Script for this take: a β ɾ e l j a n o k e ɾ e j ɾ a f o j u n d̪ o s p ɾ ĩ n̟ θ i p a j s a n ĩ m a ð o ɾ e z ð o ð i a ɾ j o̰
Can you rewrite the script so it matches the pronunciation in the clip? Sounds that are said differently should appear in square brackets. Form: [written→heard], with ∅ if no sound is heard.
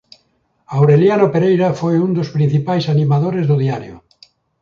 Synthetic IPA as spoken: a [β→w] ɾ e l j a n o [k→p] e ɾ e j ɾ a f o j u n d̪ o s p ɾ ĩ n̟ θ i p a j s a n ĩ m a ð o ɾ e z ð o ð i a ɾ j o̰